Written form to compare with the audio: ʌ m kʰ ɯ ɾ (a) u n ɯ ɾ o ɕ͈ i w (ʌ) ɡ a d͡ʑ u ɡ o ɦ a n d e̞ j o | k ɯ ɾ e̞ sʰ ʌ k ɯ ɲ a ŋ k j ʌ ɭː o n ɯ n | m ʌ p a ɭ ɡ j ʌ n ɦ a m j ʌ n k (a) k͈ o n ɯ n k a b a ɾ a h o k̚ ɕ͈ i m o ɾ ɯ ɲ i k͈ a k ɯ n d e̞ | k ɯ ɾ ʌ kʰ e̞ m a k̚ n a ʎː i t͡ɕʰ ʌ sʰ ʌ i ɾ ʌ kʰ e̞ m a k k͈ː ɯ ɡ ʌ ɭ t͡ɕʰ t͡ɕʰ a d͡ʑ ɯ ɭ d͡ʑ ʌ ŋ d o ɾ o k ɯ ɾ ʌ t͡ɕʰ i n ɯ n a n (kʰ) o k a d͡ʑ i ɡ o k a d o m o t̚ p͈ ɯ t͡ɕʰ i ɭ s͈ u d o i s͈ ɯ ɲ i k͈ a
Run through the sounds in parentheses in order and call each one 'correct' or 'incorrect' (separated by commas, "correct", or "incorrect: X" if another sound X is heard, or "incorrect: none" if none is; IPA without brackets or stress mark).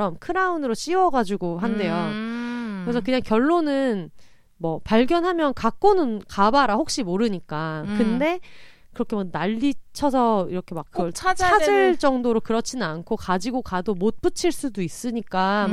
correct, correct, correct, correct